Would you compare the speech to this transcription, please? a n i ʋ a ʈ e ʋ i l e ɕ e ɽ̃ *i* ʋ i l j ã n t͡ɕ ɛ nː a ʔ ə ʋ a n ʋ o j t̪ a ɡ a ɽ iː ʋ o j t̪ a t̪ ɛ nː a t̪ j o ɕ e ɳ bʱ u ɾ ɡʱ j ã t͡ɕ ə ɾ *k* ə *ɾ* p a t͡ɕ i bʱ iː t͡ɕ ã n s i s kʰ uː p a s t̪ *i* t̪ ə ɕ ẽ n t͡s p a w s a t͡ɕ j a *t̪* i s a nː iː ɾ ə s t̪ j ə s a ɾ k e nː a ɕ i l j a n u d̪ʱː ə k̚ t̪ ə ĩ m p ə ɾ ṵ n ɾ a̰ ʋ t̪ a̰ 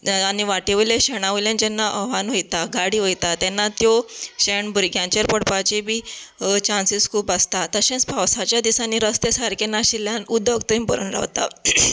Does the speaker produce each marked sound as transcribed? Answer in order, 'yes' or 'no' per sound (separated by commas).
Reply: no, no, no, no, no